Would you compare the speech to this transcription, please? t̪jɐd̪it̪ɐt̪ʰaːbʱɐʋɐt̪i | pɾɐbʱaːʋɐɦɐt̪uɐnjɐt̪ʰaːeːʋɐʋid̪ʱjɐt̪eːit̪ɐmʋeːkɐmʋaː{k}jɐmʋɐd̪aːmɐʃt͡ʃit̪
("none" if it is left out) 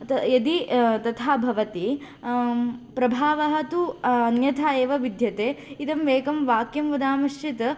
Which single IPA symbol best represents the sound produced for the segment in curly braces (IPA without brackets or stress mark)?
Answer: k